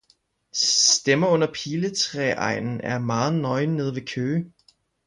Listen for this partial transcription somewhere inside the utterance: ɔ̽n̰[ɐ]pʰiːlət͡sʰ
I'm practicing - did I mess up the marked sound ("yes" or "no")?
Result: no